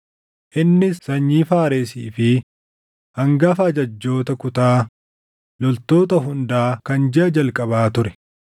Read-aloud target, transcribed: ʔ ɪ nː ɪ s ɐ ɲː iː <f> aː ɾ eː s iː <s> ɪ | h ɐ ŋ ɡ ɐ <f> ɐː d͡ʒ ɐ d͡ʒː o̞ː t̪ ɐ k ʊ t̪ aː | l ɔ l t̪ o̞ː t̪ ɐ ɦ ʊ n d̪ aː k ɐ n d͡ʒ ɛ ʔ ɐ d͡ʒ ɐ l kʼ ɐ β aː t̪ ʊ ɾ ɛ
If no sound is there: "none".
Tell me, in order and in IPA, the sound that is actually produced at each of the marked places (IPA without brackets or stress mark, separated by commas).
f, f, f